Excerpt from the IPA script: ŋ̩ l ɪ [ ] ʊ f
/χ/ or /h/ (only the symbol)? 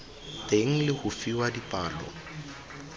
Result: h